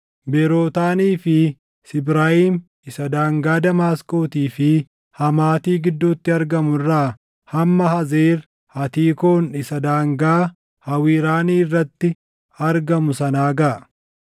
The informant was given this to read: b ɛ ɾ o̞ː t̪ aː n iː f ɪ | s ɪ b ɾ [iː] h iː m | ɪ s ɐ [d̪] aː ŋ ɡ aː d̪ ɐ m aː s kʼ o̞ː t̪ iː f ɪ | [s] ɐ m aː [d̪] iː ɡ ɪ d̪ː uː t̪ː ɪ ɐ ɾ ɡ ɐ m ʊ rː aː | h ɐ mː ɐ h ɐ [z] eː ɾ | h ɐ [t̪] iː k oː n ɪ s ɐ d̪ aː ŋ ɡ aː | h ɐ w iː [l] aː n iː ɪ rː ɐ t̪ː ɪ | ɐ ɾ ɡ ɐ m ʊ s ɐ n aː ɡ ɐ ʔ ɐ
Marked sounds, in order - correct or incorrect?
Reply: incorrect: aː, correct, incorrect: h, incorrect: t̪, correct, correct, incorrect: ɾ

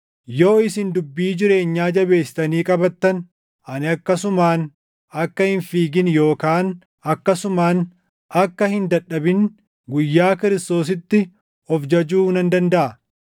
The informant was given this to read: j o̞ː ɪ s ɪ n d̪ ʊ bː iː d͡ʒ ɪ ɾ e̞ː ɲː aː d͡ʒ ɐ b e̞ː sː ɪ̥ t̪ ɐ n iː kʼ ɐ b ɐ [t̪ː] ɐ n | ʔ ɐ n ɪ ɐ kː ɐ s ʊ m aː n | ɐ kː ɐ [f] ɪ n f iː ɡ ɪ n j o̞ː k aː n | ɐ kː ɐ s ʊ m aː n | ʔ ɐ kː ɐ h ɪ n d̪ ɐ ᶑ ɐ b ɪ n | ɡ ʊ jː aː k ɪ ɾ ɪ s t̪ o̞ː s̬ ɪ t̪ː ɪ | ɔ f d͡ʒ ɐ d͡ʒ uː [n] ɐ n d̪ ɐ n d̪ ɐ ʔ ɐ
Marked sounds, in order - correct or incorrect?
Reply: correct, incorrect: h, correct

